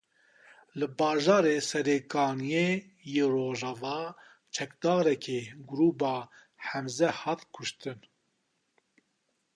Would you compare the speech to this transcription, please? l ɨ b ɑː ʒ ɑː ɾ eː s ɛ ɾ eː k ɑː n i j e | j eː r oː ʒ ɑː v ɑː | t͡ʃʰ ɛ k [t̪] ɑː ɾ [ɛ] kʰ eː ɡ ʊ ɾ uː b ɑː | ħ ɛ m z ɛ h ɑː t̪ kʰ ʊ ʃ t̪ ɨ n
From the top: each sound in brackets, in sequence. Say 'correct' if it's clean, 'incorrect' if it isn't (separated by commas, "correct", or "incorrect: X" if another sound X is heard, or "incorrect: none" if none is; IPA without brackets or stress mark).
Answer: incorrect: d̪, correct